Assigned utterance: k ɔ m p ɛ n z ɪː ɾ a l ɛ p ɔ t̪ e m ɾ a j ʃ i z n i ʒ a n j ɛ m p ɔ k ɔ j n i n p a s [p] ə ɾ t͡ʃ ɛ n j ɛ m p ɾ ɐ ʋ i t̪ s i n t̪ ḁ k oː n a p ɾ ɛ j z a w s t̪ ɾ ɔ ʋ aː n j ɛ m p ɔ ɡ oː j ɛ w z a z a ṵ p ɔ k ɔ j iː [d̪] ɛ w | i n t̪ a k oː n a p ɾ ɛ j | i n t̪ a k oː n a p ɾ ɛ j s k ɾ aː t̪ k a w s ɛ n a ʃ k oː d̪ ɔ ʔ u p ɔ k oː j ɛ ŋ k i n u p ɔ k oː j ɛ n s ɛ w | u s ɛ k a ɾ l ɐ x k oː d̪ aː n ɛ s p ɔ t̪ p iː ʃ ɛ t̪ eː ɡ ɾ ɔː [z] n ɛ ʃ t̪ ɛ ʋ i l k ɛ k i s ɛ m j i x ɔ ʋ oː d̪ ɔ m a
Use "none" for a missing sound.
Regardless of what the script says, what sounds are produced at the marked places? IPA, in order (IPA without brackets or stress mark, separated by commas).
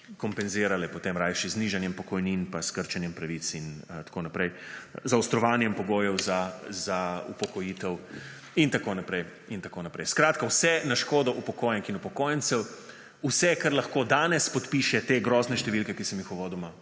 k, t̪, z